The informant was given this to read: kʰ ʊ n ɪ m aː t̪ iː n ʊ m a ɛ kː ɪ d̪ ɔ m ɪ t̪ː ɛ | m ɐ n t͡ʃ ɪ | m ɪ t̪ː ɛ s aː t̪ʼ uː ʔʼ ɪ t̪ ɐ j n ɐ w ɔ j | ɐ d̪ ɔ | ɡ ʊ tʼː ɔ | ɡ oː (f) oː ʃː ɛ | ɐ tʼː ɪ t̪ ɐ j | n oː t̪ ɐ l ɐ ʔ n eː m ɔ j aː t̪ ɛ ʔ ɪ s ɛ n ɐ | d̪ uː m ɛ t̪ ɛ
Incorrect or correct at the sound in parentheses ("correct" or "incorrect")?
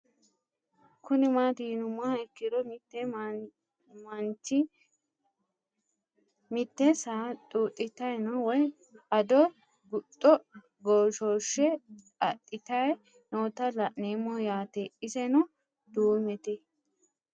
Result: incorrect